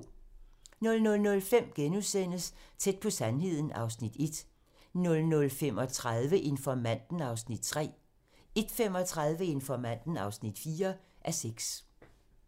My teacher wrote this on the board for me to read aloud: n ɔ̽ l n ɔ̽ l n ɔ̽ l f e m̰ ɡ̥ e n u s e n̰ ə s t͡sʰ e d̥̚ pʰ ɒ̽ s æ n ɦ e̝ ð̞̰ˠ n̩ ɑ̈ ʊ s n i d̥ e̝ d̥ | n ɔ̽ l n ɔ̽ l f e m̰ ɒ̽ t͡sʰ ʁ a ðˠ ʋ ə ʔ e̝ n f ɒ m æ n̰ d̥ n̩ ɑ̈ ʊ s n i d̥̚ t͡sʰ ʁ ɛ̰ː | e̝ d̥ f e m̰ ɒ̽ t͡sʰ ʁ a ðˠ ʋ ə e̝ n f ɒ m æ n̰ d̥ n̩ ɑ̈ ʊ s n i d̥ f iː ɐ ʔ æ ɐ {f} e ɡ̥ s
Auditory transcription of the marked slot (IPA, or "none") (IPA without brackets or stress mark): s